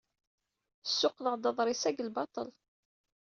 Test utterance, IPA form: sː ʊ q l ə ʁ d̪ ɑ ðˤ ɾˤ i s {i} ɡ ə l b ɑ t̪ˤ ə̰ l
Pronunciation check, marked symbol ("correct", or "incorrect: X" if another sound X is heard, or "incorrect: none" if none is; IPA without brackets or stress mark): incorrect: æ